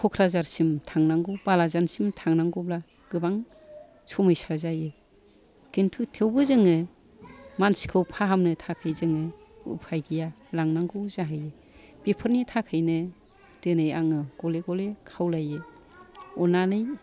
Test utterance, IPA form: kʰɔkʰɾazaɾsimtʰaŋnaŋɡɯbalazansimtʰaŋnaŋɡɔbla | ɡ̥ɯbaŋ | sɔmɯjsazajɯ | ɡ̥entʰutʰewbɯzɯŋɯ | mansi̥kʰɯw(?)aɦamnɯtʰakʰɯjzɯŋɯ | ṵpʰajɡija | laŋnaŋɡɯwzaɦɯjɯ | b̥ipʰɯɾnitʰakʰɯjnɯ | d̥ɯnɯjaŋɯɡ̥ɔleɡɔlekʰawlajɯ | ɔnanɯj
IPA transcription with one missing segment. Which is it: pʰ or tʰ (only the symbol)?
pʰ